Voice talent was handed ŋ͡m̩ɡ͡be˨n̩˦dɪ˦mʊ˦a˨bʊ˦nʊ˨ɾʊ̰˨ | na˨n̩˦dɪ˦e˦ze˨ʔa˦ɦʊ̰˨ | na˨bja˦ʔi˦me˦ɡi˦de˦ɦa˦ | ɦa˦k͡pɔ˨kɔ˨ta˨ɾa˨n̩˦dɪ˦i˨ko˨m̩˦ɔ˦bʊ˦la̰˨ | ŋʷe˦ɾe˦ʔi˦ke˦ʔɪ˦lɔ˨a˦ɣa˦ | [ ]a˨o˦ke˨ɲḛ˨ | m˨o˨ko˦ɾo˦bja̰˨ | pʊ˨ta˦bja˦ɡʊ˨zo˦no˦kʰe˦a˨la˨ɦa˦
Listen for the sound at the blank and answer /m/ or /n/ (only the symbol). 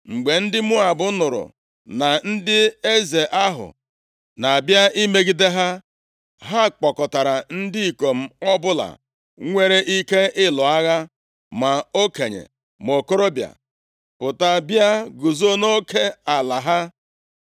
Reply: m